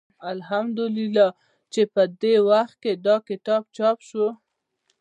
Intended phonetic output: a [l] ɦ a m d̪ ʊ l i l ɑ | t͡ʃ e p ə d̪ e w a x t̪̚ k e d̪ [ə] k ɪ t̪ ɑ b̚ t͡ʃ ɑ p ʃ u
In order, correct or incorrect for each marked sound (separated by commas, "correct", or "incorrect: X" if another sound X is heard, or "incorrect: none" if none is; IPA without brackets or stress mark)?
correct, incorrect: ɑ